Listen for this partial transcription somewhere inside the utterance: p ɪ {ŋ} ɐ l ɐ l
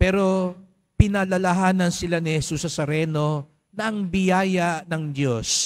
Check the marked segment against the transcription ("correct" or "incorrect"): incorrect